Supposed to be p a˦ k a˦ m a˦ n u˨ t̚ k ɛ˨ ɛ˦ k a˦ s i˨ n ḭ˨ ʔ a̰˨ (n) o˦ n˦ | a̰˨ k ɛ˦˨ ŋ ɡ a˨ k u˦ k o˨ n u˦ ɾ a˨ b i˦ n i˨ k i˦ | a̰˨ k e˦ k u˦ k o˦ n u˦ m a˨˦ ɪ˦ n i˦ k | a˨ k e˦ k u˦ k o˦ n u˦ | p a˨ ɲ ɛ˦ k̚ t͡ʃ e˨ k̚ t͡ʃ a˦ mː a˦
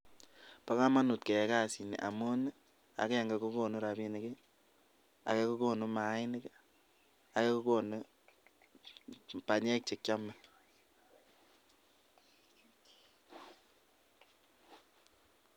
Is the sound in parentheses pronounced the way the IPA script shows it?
no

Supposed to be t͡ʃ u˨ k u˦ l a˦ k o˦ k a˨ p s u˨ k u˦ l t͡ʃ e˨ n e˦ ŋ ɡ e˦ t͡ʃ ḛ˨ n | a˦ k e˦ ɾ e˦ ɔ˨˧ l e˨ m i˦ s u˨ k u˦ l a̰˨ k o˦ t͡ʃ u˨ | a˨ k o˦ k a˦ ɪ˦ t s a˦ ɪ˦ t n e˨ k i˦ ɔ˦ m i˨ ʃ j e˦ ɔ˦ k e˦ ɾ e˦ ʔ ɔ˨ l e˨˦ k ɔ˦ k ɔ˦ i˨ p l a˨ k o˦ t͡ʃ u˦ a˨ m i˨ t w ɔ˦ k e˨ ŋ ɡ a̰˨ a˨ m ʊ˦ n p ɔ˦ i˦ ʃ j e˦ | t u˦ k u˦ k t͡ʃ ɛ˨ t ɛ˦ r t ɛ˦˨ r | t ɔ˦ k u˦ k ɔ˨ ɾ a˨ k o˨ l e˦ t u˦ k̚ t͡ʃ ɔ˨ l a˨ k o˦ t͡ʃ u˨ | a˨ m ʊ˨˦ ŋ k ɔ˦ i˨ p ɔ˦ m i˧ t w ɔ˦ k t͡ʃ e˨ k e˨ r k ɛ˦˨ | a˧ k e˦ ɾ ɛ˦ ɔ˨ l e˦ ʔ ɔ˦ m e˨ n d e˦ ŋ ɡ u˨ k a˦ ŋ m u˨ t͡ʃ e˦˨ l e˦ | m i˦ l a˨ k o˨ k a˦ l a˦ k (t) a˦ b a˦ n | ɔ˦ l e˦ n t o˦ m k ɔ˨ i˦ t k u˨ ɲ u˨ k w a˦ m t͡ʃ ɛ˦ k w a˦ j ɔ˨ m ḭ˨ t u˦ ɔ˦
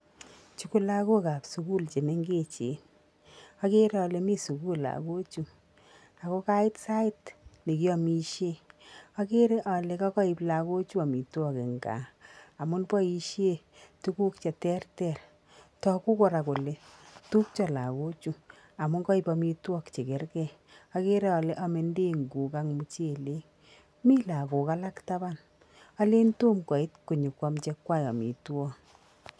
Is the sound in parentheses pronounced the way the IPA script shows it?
yes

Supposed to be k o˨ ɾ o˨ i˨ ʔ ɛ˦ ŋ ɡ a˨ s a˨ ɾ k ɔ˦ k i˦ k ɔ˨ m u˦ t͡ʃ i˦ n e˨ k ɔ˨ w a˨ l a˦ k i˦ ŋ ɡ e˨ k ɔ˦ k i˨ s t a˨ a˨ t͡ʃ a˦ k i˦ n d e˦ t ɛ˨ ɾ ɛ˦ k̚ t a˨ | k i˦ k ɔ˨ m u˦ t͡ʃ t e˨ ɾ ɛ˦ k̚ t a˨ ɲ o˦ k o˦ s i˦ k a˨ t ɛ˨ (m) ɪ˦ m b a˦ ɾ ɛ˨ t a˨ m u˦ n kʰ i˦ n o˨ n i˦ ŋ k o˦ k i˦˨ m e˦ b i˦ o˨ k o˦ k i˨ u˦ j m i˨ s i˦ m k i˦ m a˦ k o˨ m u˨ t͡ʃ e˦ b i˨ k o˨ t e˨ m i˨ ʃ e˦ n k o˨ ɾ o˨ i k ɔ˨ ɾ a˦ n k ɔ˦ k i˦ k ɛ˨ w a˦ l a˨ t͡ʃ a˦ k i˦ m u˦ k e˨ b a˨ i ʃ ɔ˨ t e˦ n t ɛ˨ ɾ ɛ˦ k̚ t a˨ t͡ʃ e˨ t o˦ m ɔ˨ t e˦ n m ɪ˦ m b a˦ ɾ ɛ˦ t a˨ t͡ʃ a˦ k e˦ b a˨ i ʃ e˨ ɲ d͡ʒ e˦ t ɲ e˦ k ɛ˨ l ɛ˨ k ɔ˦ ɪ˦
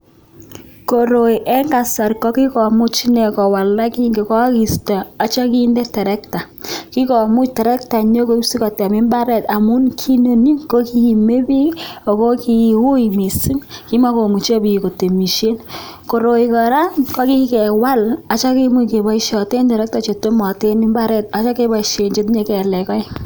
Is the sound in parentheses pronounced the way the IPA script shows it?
yes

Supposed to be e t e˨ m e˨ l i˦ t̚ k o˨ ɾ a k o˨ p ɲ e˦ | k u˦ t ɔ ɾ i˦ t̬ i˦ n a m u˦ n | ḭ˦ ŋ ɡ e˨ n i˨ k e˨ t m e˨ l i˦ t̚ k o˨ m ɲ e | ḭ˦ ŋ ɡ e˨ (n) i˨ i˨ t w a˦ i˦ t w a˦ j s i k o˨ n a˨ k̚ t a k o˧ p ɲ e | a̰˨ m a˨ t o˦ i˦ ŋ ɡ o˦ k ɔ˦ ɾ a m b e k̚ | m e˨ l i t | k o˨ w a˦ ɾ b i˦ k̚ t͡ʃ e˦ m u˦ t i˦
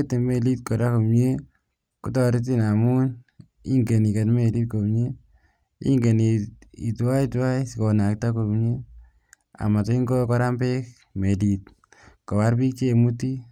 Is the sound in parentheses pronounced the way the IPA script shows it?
yes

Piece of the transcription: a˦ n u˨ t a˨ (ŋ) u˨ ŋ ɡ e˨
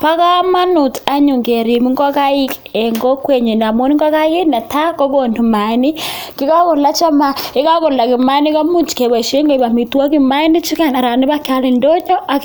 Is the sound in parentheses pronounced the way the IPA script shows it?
no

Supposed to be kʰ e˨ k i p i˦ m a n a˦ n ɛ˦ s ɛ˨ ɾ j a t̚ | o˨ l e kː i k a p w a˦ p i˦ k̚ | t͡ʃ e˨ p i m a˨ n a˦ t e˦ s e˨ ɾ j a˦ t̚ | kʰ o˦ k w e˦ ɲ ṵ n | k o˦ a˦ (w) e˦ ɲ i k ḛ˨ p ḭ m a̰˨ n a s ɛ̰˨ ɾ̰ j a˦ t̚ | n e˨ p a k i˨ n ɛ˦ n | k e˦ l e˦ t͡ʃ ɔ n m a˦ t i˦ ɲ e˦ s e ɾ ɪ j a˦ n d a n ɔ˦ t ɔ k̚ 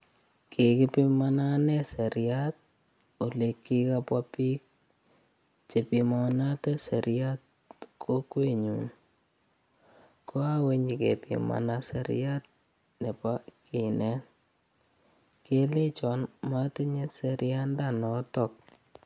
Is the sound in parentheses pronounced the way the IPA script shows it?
yes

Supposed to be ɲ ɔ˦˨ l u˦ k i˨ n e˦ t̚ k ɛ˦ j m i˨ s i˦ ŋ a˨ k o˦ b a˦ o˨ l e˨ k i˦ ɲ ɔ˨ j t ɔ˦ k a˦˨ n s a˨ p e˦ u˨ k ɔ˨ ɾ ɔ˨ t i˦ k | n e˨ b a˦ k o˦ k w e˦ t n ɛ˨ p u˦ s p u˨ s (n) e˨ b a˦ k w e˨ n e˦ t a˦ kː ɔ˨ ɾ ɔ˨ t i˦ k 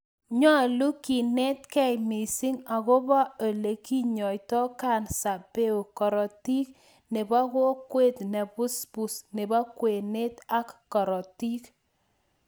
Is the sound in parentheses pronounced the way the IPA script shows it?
yes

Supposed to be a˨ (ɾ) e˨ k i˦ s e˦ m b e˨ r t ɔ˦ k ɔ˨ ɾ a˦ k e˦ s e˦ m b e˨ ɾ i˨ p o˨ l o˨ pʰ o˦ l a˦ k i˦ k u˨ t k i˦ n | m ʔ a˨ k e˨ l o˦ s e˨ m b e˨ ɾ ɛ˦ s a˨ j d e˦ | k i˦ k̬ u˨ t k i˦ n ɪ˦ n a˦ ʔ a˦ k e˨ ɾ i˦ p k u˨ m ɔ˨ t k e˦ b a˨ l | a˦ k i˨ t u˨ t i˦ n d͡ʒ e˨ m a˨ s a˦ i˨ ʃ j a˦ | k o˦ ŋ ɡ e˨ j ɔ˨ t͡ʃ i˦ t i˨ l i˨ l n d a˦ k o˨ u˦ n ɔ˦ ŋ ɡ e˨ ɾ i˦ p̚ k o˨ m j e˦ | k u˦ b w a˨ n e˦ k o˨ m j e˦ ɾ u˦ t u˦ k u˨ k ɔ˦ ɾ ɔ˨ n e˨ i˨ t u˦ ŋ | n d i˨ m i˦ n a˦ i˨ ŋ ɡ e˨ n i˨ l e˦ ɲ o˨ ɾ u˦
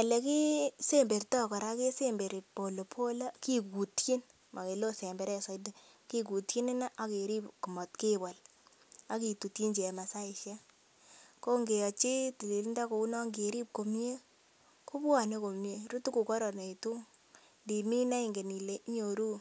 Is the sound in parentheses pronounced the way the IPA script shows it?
no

